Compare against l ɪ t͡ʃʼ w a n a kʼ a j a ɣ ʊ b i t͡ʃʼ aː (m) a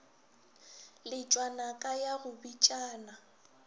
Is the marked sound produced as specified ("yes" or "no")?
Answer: no